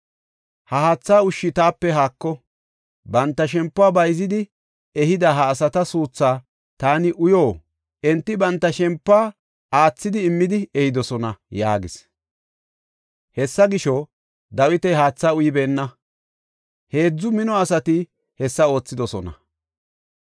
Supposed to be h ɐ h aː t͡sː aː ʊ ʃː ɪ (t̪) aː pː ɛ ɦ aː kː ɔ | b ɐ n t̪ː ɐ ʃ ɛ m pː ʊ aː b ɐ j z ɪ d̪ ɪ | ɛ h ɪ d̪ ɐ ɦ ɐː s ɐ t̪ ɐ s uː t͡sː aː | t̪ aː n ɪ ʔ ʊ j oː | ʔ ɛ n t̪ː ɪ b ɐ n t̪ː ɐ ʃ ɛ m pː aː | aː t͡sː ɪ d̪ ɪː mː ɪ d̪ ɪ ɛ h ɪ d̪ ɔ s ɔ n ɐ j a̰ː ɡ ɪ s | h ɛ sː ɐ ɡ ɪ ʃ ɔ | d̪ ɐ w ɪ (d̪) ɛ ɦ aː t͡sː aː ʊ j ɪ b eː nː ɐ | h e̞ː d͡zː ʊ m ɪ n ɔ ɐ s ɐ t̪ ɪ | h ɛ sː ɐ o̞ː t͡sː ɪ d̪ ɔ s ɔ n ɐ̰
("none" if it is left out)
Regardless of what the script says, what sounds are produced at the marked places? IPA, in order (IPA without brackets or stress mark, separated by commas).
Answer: t̪, t̪